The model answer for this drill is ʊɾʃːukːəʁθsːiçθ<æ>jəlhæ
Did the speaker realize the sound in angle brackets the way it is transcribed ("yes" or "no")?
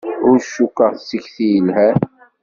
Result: no